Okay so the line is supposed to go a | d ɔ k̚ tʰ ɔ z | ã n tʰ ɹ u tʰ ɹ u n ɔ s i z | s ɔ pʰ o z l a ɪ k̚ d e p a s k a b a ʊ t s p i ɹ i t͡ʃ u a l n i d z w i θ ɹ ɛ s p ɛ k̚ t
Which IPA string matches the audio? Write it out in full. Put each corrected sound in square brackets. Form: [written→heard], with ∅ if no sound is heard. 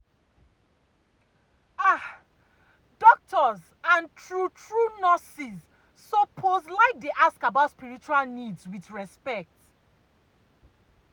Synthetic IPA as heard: a | d ɔ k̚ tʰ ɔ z | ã n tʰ ɹ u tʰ ɹ u n ɔ s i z | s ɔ pʰ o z l a ɪ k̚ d e [p→ʔ] a s k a b a ʊ t s p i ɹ i t͡ʃ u a l n i d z w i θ ɹ ɛ s p ɛ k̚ t